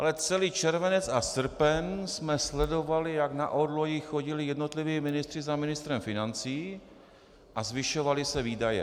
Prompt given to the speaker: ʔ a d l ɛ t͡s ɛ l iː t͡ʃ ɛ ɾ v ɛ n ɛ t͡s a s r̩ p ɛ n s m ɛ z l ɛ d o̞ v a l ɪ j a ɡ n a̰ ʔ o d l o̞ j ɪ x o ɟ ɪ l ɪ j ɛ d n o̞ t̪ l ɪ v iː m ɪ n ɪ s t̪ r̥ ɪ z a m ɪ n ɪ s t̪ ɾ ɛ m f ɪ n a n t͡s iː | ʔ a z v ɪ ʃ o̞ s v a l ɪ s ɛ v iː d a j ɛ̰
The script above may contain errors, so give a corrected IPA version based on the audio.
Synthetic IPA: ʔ a l ɛ t͡s ɛ l iː t͡ʃ ɛ ɾ v ɛ n ɛ t͡s a s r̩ p ɛ n s m ɛ s l ɛ d o̞ v a l ɪ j a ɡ n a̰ ʔ o d l o̞ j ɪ x o ɟ ɪ l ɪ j ɛ d n o̞ t̪ l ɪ v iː m ɪ n ɪ s t̪ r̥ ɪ z a m ɪ n ɪ s t̪ ɾ ɛ m f ɪ n a n t͡s iː | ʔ a z v ɪ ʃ o̞ v a l ɪ s ɛ v iː d a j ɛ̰